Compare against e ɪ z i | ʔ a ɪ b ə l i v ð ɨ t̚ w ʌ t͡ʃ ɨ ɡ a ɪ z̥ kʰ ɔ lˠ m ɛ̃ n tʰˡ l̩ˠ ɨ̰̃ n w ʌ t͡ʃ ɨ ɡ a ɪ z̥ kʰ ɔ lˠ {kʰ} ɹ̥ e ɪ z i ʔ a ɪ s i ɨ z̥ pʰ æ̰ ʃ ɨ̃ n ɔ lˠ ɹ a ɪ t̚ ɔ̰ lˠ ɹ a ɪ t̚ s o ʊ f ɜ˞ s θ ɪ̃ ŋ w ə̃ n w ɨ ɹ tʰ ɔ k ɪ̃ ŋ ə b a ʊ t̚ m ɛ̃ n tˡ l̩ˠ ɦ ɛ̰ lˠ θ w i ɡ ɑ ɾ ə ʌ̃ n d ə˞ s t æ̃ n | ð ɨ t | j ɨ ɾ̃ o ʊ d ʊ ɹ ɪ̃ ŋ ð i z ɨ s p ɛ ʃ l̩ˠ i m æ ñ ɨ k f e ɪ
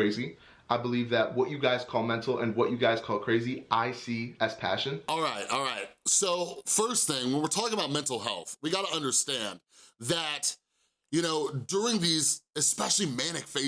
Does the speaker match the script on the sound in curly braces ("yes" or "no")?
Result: yes